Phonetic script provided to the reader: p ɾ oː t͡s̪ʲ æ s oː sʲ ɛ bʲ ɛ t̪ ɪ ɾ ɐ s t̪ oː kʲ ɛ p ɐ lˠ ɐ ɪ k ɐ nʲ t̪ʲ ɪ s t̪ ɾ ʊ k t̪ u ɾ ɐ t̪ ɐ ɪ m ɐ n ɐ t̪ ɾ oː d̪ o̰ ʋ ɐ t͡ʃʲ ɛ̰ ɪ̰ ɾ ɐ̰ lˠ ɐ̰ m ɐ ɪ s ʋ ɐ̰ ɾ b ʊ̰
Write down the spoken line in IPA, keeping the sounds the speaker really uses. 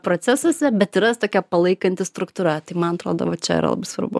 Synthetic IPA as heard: p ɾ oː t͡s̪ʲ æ s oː sʲ ɛ bʲ ɛ t̪ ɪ ɾ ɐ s t̪ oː kʲ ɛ p ɐ lˠ ɐ ɪ k ɐ nʲ t̪ʲ ɪ s t̪ ɾ ʊ k t̪ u ɾ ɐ t̪ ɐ ɪ m ɐ n ɐ t̪ ɾ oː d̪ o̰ ʋ ɐ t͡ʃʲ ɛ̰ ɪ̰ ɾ ɐ̰ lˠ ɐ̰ b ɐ ɪ s ʋ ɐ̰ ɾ b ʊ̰